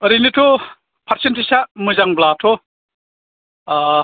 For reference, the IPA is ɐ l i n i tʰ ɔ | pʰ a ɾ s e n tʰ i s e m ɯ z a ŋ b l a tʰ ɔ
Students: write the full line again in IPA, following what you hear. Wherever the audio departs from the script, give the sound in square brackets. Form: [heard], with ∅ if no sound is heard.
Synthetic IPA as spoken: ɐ [ɾ] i n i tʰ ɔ | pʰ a ɾ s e n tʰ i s [a] m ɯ z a ŋ b l a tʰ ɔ